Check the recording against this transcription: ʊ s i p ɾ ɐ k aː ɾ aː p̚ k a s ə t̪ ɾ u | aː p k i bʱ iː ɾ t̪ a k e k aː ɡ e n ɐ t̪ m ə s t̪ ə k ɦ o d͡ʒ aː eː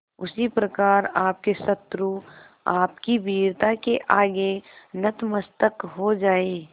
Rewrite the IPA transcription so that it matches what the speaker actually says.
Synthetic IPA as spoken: ʊ s i p ɾ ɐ k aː ɾ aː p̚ k e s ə t̪ ɾ u | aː p k i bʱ iː ɾ t̪ a k e ʔ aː ɡ e n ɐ t̪ m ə s t̪ ə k ɦ o d͡ʒ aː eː